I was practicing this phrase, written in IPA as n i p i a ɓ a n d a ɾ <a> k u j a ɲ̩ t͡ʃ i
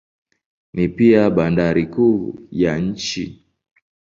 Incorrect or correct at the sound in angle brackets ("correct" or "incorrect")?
incorrect